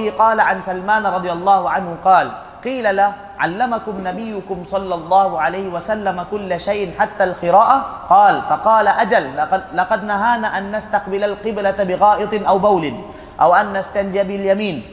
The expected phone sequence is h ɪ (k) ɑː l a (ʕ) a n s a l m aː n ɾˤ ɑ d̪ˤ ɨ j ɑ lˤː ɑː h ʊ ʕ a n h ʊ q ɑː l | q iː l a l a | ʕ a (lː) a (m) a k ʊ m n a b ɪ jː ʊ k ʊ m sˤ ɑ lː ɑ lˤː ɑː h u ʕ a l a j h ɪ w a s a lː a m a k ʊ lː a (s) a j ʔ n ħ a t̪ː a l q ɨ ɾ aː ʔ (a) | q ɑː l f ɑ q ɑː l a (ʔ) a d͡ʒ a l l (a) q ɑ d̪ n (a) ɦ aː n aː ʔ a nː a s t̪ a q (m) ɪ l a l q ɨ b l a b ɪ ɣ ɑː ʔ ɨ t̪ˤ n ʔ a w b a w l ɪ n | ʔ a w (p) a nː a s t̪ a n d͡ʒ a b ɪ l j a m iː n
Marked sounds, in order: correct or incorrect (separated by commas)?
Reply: incorrect, correct, correct, correct, incorrect, correct, correct, incorrect, correct, incorrect, incorrect